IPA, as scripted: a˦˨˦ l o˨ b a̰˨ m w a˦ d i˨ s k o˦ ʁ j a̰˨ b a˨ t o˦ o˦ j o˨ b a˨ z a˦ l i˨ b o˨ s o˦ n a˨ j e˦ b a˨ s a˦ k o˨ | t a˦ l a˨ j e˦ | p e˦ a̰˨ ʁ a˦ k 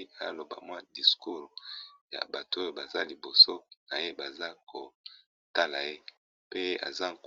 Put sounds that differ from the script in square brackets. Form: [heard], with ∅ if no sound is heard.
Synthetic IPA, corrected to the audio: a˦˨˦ l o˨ b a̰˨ m w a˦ d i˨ s k [u˦] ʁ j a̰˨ b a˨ t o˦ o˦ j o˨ b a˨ z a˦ l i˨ b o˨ s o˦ n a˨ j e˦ b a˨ [z] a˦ k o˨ | t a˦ l a˨ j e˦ | p e˦ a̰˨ [z] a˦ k